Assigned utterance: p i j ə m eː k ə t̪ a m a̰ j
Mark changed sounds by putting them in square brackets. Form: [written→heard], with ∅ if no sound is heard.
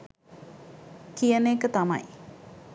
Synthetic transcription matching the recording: [p→k] i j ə [m→n] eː k ə t̪ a m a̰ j